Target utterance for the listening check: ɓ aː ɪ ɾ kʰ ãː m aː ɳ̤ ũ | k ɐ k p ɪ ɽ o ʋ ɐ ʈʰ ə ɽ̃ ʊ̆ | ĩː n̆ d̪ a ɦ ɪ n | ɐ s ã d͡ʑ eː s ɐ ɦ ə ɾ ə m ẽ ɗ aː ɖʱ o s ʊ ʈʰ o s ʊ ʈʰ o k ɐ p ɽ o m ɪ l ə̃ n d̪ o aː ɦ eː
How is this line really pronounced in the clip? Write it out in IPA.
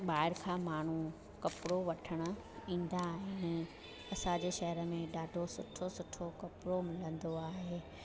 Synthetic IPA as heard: ɓ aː ɪ ɾ kʰ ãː m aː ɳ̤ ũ | k ɐ p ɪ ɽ o ʋ ɐ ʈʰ ə ɽ̃ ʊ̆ | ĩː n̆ d̪ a ɦ ɪ n | ɐ s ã d͡ʑ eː ʃ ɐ ɦ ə ɾ ə m ẽ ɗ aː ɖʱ o s ʊ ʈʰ o s ʊ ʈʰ o k ɐ p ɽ o m ɪ l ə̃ n d̪ o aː ɦ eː